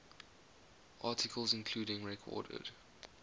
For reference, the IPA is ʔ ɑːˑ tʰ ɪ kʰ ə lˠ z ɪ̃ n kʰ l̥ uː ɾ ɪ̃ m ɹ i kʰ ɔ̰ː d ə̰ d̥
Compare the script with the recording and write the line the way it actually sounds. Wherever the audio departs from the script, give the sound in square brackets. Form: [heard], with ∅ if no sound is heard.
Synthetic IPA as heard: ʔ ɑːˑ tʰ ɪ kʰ ə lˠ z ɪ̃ n kʰ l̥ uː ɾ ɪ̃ [ŋ] ɹ [ɛ] kʰ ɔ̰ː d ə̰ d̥

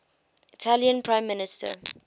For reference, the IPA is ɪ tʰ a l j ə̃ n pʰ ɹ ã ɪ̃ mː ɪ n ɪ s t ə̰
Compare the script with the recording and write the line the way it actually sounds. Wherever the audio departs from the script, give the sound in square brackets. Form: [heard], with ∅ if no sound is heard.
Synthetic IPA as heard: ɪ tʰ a l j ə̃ n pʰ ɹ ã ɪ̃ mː ɪ n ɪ s t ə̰

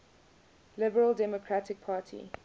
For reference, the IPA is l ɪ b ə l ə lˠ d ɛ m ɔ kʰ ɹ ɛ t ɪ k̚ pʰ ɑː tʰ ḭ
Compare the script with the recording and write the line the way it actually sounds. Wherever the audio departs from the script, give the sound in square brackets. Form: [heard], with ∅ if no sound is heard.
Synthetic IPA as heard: l ɪ b ə [ɹ] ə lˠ d ɛ m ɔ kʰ ɹ [a] t ɪ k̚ pʰ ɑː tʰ ḭ

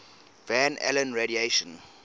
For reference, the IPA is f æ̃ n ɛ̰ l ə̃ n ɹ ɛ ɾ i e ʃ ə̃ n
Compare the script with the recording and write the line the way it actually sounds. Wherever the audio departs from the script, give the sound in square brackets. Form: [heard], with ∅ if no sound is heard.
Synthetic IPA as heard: [v] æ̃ n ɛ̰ l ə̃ n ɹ [e] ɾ i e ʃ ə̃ n

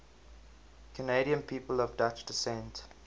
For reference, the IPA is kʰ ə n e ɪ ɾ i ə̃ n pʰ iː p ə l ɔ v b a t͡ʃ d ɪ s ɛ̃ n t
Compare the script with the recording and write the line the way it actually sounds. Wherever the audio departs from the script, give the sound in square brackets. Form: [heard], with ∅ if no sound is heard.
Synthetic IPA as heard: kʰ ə n e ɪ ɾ i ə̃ n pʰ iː p ə l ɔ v [d] a t͡ʃ d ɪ s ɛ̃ n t

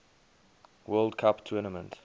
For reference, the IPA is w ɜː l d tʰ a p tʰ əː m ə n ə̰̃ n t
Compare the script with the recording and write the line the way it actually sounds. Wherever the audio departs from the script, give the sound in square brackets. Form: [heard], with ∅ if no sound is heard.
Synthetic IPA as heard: w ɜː l d [kʰ] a p tʰ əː [n] ə [m] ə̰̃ n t

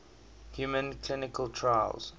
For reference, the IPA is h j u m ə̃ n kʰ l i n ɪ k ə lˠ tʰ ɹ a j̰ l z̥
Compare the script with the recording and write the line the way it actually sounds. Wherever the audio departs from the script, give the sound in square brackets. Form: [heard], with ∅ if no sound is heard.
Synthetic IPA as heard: h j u m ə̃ n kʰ l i n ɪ k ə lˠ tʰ ɹ a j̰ l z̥

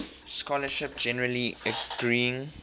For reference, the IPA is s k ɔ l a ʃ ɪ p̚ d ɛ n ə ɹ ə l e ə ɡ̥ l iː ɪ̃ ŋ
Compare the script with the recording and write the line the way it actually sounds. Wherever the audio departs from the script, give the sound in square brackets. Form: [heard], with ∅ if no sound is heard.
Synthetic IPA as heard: s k ɔ l [ə] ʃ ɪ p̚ [d͡ʒ] ɛ n ə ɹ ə l [i] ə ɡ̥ [ɹ] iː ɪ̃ ŋ

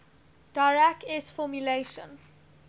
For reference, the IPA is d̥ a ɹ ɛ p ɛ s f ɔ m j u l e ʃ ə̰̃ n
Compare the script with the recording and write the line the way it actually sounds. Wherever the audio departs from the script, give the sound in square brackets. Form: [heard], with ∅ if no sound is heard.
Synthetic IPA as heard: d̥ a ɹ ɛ [k] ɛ s f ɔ m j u l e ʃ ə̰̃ n

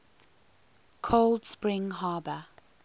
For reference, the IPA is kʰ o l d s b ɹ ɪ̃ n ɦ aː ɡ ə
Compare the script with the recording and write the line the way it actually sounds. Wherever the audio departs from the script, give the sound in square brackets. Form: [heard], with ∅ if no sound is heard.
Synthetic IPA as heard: kʰ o l d s [p] ɹ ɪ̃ [ŋ] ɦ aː [b] ə

